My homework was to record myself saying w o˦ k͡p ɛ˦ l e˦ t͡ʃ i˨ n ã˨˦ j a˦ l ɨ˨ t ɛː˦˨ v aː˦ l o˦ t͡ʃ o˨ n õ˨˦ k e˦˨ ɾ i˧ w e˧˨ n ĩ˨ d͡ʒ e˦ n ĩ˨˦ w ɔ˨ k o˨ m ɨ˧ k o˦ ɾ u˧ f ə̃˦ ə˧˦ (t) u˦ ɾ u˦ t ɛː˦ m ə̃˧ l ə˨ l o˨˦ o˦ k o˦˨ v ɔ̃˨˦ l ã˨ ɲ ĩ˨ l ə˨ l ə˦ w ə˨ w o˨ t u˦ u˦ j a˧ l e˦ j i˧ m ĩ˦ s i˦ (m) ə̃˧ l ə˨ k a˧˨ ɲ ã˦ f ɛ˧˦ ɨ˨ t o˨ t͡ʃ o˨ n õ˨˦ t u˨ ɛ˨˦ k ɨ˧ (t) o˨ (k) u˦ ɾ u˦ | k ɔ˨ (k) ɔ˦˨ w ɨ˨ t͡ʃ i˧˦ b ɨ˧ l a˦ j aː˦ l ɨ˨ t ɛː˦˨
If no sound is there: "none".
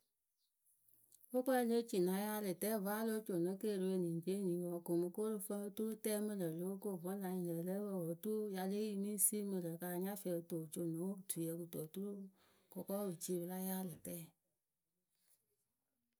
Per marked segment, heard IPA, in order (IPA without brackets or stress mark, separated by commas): t, m, t, t, k